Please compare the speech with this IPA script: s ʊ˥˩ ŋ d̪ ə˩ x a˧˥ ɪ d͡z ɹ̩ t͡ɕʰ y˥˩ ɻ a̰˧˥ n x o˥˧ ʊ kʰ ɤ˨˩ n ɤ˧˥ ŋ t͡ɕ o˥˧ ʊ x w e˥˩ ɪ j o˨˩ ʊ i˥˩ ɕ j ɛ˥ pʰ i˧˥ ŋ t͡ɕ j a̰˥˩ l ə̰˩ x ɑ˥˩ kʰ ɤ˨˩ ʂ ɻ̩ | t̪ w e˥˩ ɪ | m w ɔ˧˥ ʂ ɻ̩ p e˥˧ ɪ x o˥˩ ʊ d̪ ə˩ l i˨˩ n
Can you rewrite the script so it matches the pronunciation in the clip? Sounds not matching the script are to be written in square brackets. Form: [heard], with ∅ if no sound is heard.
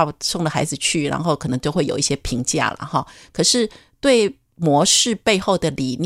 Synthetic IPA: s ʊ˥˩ ŋ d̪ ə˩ x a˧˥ ɪ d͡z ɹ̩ t͡ɕʰ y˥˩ ɻ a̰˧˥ n x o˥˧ ʊ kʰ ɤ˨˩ n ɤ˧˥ ŋ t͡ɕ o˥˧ ʊ x w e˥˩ ɪ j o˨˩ ʊ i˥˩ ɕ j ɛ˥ pʰ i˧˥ ŋ t͡ɕ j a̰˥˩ l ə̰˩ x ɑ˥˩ kʰ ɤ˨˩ ʂ ɻ̩ | t̪ w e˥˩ ɪ | m w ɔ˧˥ ʂ ɻ̩ p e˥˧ ɪ x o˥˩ ʊ d̪ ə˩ l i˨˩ n